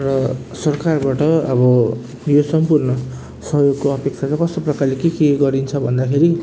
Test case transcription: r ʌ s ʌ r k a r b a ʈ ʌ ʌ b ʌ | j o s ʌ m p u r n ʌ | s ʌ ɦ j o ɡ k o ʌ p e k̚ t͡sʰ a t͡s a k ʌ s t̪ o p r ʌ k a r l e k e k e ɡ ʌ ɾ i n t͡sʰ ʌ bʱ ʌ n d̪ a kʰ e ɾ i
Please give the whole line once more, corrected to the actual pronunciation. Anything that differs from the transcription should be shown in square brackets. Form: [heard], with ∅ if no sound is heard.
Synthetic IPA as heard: r ʌ s ʌ r k a r b a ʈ ʌ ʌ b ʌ | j o s ʌ m p u r n ʌ | s ʌ ɦ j o ɡ k o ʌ p e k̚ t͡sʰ a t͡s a k ʌ s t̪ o p r ʌ k a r l e k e k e ɡ ʌ ɾ i n t͡sʰ ʌ bʱ ʌ n d̪ a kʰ e ɾ i